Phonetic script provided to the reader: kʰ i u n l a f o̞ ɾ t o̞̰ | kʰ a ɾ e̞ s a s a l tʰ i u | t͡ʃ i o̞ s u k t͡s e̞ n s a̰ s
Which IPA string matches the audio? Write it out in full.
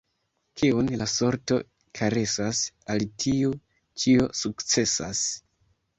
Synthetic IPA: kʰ i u n l a s o̞ ɾ t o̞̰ | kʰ a ɾ e̞ s a s a l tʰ i u | t͡ʃ i o̞ s u k t͡s e̞ s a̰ s

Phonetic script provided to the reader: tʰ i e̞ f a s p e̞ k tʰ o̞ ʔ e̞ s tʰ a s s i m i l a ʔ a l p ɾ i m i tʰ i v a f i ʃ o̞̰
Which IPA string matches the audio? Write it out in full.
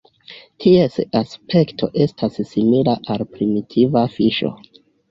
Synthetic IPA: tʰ i e̞ s a s p e̞ k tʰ o̞ ʔ e̞ s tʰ a s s i m i l a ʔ a l p ɾ i m i tʰ i v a f i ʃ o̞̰

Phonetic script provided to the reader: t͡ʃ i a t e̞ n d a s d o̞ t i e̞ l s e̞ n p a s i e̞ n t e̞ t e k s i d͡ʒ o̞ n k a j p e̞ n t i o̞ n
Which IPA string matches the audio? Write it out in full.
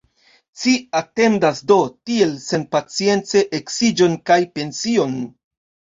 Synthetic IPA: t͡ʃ i a t e̞ n d a s d o̞ t i e̞ l s e̞ n p a t͡s i e̞ n t͡s e̞ ʔ e k s i d͡ʒ o̞ n k a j p e̞ n s i o̞ n

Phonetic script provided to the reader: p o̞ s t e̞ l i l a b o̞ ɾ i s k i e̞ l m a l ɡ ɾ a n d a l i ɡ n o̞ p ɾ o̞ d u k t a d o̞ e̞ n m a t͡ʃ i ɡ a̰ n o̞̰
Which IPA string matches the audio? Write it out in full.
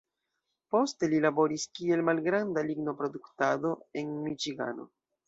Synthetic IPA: p o̞ s t e̞ l i l a b o̞ ɾ i s k i e̞ l m a l ɡ ɾ a n d a l i ɡ n o̞ p ɾ o̞ d u k t a d o̞ e̞ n m i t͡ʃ i ɡ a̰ n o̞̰

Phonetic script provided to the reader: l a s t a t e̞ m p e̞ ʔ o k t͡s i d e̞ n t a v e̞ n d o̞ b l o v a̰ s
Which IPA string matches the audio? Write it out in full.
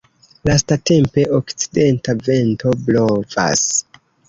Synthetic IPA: l a s t a t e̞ m p e̞ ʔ o k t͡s i d e̞ n t a v e̞ n t o̞ b l o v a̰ s

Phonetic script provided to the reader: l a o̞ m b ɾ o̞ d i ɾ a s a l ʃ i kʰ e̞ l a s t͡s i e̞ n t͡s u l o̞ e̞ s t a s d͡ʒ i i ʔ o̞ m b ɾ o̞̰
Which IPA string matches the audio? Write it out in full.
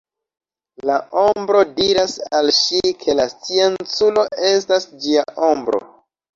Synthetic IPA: l a o̞ m b ɾ o̞ d i ɾ a s a l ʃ i kʰ e̞ l a s t͡s i e̞ n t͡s u l o̞ e̞ s t a s d͡ʒ i a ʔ o̞ m b ɾ o̞̰

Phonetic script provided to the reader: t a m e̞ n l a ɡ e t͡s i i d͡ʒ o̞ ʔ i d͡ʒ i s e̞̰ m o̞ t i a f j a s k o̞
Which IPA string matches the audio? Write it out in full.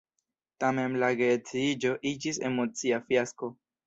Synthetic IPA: t a m e̞ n l a ɡ e t͡s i i d͡ʒ o̞ ʔ i d͡ʒ i s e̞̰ m o̞ t͡s i a f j a s k o̞

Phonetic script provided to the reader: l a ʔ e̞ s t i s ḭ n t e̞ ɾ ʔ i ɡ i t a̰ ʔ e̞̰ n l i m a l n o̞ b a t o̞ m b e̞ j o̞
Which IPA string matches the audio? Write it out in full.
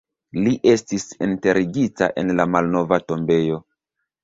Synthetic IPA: l i ʔ e̞ s t i s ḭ n t e̞ ɾ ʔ i ɡ i t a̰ ʔ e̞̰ n l a m a l n o̞ v a t o̞ m b e̞ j o̞

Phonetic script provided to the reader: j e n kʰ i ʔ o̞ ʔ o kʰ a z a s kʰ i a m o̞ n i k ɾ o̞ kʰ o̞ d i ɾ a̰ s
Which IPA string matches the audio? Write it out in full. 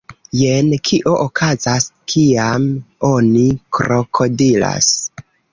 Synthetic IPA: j e n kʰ i ʔ o̞ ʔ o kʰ a z a s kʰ i a m o̞ n i k ɾ o̞ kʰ o̞ d i l a̰ s

